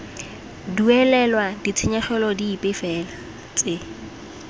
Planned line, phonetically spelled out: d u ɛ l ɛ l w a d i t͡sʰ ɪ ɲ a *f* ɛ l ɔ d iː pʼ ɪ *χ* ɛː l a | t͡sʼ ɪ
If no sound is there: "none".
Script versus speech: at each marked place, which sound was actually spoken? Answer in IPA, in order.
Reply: χ, f

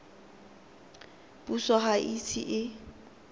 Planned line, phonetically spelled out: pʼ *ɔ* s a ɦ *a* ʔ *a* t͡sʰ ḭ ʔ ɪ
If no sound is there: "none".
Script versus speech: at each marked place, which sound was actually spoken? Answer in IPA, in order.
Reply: u, a, i

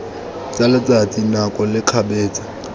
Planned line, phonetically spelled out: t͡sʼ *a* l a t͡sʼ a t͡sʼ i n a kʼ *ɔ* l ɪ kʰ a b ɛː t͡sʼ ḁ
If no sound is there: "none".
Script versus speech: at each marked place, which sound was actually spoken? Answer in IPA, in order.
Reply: a, ɔ

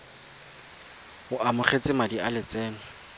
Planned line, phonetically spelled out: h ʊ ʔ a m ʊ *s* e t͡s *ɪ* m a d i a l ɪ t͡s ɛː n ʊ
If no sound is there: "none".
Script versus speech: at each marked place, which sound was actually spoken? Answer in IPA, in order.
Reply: χ, ɪ

